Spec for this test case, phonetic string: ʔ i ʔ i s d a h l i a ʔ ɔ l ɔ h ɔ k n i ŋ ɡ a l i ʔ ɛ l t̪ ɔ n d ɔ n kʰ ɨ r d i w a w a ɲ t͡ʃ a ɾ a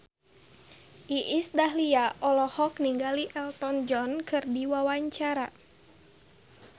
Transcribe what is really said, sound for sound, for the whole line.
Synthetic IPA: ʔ i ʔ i s d a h l i a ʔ ɔ l ɔ h ɔ k n i ŋ ɡ a l i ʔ ɛ l t̪ ɔ n d͡ʒ ɔ n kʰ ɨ r d i w a w a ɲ t͡ʃ a ɾ a